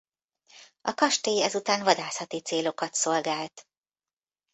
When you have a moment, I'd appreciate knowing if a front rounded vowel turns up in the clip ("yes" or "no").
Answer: no